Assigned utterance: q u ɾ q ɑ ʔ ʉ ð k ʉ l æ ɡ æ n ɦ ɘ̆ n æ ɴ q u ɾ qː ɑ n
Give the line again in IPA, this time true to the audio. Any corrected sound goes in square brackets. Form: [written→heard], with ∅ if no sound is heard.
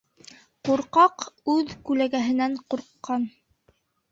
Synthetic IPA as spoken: q u ɾ q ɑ [ʔ→q] ʉ ð k ʉ l æ ɡ æ [n→∅] ɦ ɘ̆ n æ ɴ q u ɾ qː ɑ n